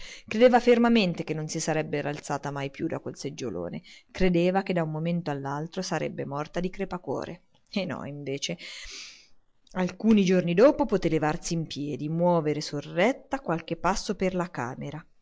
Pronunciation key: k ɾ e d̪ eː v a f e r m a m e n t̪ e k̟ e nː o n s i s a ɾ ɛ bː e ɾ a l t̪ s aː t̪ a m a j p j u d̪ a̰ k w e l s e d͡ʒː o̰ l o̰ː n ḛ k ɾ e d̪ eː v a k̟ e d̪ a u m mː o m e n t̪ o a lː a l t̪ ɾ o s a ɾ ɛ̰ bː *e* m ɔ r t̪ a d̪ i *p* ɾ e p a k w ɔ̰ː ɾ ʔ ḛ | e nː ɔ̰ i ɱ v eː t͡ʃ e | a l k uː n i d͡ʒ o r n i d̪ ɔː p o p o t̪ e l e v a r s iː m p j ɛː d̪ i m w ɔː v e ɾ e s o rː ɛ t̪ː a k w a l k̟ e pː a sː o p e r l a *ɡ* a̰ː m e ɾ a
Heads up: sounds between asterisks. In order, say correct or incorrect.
correct, incorrect, incorrect

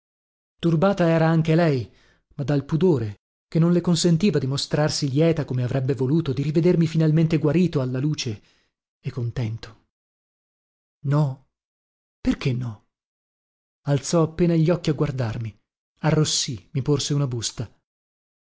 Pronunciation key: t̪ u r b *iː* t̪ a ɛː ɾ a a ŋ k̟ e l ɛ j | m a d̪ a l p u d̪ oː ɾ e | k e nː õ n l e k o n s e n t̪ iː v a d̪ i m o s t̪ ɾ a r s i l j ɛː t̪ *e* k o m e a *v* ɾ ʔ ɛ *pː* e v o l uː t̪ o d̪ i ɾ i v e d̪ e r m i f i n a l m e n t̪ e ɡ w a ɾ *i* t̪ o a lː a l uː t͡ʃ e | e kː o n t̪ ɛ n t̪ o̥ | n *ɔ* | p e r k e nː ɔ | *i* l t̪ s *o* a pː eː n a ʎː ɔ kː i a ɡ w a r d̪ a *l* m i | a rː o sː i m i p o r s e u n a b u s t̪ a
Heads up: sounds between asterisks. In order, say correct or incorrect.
incorrect, incorrect, correct, incorrect, incorrect, correct, incorrect, incorrect, incorrect

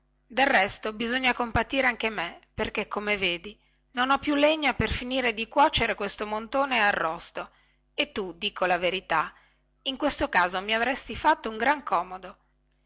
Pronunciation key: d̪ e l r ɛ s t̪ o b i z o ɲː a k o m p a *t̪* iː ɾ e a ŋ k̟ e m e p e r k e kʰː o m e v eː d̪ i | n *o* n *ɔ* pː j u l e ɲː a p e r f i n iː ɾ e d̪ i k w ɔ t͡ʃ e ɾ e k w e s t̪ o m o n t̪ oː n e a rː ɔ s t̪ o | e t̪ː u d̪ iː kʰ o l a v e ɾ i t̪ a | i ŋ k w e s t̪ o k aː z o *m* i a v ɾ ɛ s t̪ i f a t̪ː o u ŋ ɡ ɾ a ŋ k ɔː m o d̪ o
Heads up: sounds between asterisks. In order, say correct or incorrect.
correct, correct, correct, correct

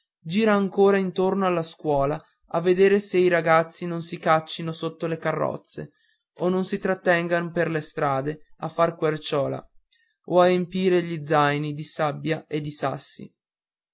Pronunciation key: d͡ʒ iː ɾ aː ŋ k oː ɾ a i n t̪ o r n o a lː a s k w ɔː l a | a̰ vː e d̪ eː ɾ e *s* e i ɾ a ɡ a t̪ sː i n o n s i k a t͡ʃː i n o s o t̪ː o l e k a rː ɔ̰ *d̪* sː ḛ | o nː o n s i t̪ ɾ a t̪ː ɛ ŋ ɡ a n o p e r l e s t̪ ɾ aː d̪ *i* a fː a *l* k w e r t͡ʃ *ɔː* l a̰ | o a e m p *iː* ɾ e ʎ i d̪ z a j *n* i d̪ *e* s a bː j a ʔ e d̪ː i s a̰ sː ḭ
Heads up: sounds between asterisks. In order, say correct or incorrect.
correct, incorrect, incorrect, incorrect, correct, correct, correct, incorrect

